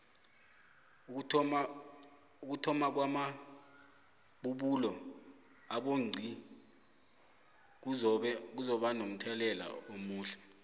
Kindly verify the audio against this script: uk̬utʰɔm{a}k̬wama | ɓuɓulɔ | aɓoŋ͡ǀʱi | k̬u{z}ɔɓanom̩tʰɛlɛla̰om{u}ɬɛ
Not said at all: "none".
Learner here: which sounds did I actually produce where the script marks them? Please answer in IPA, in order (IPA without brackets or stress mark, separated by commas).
a, z, uː